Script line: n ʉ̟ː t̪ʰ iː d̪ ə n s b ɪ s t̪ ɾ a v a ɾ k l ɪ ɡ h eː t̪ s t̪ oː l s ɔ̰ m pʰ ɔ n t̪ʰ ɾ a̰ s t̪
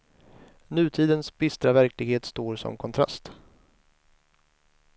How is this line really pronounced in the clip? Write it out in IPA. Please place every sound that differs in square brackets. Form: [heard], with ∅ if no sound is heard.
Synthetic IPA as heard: n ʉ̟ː t̪ʰ iː d̪ ə n s b ɪ s t̪ ɾ a v [æ] ɾ k l ɪ ɡ h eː t̪ s t̪ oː [ɾ] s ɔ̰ m [kʰ] ɔ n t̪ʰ ɾ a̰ s t̪